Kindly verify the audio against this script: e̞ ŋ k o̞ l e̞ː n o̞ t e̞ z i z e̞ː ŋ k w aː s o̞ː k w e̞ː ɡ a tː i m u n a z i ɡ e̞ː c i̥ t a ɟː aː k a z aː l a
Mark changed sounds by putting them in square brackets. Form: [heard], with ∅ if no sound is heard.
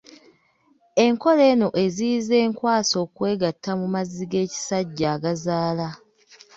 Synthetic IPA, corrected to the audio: e̞ ŋ k o̞ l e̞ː n o̞ [ʔ] e̞ z i z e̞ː ŋ k w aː s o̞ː k w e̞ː ɡ a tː [a] m u [m] a z i ɡ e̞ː c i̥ [s] a ɟː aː [ɡ] a z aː l a

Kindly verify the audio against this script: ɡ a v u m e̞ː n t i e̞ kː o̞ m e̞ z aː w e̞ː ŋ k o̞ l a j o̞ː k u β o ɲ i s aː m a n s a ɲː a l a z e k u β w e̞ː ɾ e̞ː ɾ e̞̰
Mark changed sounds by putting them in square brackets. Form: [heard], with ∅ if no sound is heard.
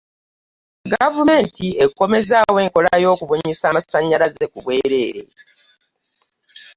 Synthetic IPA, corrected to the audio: ɡ a v u m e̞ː n t i e̞ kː o̞ m e̞ z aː w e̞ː ŋ k o̞ l a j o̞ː k u β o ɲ i s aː m a [∅] s a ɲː a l a z e k u β w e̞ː ɾ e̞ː ɾ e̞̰

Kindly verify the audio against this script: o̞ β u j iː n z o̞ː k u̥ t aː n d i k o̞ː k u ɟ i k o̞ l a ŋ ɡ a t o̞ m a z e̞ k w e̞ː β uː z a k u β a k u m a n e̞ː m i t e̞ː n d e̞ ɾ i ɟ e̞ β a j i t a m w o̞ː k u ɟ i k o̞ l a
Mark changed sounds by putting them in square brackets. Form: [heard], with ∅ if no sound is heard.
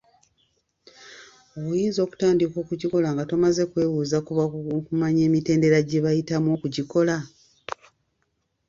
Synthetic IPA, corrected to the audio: o̞ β u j iː n z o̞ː k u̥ t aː n d i k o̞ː k u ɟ i k o̞ l a ŋ ɡ a t o̞ m a z e̞ k w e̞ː β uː z a k u β a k u m a [ɲ] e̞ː m i t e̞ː n d e̞ ɾ [a] ɟ e̞ β a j i t a m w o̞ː k u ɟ i k o̞ l a

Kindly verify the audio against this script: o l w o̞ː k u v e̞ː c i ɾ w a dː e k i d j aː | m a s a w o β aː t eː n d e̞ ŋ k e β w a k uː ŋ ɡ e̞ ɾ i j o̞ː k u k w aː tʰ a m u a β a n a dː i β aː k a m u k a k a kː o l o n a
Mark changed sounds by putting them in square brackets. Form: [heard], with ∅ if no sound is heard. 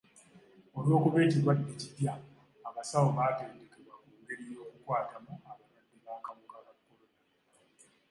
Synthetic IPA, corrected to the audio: o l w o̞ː k u [β] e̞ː c i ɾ w a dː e [c] i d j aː | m a s a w o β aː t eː n d e̞ [∅] k e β w a k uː ŋ ɡ e̞ ɾ i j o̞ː k u k w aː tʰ a m u a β a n a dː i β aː k a m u k a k a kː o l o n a

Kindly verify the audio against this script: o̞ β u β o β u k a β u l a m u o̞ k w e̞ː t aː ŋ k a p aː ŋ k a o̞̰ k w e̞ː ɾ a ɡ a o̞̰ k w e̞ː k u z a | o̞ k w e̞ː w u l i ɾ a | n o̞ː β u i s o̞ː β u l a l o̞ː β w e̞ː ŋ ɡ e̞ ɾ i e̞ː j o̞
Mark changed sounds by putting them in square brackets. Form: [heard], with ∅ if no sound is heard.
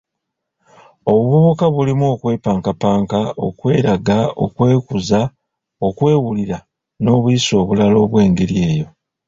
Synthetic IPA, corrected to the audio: o̞ β u β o β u k a β u l [i] m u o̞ k w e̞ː [p] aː ŋ k a p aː ŋ k a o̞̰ k w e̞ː ɾ a ɡ a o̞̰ k w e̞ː k u z a | o̞ k w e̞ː w u l i ɾ a | n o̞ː β u i s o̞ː β u l a l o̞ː β w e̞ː ŋ ɡ e̞ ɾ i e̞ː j o̞

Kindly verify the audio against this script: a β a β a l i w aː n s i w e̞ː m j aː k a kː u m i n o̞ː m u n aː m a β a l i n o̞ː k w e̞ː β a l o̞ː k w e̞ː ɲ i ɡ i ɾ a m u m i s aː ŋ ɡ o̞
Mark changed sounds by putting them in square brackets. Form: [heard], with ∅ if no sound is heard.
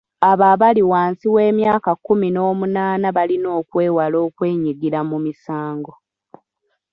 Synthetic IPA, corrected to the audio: a β a β a l i w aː n s i w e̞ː m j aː k a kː u m i n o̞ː m u n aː [n] a β a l i n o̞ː k w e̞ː [w] a l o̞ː k w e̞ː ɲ i ɡ i ɾ a m u m i s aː ŋ ɡ o̞

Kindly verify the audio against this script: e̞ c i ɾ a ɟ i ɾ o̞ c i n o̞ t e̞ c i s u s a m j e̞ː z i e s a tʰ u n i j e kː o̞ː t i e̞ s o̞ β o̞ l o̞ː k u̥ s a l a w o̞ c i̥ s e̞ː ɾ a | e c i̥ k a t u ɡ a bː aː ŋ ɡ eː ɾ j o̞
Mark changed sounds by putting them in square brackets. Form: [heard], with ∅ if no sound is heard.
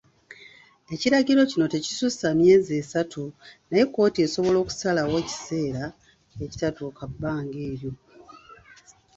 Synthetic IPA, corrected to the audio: e̞ c i ɾ a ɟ i ɾ o̞ c i n o̞ t e̞ c i s u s a m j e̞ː z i e s a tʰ u n [a] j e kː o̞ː t i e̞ s o̞ β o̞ l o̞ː k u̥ s a l a w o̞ c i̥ s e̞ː ɾ a | e c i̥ [t] a t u [k] a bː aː ŋ ɡ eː ɾ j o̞

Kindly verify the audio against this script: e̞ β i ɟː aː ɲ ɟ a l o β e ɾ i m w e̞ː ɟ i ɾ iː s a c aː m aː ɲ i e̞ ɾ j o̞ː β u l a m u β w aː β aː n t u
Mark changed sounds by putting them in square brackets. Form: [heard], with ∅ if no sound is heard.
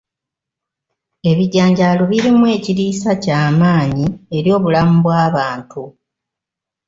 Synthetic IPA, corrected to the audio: e̞ β i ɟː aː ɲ ɟ a l o β [i] ɾ i m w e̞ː [c] i ɾ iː s a c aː m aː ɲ i e̞ ɾ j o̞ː β u l a m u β w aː β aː n t u

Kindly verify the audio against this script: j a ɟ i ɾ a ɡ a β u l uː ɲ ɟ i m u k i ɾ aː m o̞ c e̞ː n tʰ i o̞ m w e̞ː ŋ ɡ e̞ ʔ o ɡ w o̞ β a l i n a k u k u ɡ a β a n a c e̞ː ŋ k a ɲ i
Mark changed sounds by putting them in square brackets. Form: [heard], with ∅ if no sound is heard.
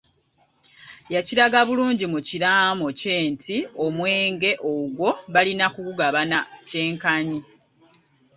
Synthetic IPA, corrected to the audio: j a [c] i ɾ a ɡ a β u l uː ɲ ɟ i m u [c] i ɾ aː m o̞ c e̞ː n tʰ i o̞ m w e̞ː ŋ ɡ e̞ ʔ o ɡ w o̞ β a l i n a k u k u ɡ a β a n a c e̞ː ŋ k a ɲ i

